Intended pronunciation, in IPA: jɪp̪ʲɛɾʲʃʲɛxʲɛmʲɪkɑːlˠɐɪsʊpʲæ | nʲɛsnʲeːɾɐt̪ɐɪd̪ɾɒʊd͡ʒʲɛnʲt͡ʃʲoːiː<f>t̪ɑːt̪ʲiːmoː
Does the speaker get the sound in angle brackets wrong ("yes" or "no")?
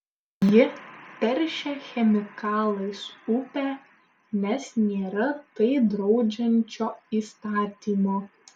yes